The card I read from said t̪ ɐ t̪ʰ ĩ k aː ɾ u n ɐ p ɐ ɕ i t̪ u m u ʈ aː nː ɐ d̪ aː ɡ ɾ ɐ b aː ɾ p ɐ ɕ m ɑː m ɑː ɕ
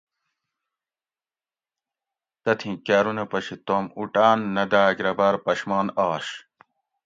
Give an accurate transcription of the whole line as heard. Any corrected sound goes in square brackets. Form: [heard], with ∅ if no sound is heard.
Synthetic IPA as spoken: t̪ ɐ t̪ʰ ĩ k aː ɾ u n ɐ p ɐ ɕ i t̪ [o] m u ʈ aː nː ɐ d̪ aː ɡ ɾ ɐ b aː ɾ p ɐ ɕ m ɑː [n] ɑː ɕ